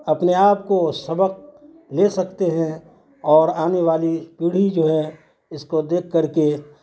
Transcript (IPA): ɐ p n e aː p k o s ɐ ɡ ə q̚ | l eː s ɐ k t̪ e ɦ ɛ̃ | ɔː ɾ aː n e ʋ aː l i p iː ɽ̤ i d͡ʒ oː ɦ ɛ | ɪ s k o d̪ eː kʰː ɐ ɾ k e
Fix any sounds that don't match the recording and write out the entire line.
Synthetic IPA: ɐ p n e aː p k o s ɐ b ə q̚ | l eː s ɐ k t̪ e ɦ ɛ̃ | ɔː ɾ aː n e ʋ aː l i p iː ɽ̤ i d͡ʒ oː ɦ ɛ | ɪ s k o d̪ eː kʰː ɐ ɾ k e